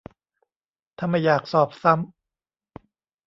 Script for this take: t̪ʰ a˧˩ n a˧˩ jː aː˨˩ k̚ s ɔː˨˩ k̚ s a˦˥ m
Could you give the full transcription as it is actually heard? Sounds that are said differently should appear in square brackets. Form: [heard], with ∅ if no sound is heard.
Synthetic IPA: t̪ʰ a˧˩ [m] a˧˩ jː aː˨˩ k̚ s ɔː˨˩ [p̚] s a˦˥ m